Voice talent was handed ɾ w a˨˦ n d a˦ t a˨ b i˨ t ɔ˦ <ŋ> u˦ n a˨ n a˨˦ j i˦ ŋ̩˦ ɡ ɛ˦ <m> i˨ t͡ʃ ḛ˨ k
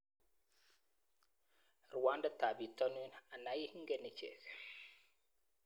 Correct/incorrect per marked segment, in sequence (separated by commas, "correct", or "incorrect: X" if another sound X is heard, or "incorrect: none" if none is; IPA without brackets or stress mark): incorrect: n, incorrect: n